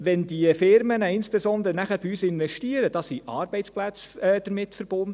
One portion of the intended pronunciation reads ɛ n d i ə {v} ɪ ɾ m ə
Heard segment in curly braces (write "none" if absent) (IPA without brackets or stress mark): f